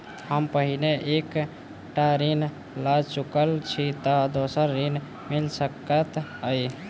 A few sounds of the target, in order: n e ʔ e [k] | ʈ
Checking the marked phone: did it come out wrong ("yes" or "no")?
no